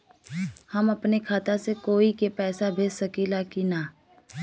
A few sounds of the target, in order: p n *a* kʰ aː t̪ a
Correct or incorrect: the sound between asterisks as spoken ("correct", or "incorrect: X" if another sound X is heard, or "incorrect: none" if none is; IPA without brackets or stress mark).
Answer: incorrect: e